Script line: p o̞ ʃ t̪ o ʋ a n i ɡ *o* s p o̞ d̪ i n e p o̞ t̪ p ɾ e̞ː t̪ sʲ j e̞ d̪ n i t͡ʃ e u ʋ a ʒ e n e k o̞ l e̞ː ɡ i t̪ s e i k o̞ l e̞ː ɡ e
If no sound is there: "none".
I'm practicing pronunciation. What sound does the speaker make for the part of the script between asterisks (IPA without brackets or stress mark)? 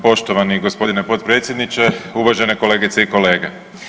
o